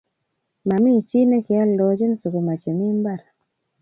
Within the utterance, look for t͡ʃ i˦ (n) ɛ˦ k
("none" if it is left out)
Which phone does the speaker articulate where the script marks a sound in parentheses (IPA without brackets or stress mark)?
n